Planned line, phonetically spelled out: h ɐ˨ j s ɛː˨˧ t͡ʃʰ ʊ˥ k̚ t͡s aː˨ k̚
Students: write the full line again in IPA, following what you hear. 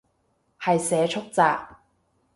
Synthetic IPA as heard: h ɐ˨ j s ɛː˨˧ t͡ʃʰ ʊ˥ k̚ t͡s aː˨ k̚